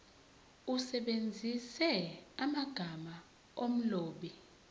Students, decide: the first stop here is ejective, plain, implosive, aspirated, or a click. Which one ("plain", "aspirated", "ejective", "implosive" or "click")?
implosive